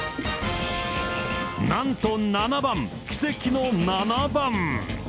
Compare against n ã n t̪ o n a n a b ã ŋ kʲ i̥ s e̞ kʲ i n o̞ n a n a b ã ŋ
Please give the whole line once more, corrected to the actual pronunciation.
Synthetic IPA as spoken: n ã n t̪ o n a n a b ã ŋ kʲ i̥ s e̞ kʲ i n o̞ n a n a b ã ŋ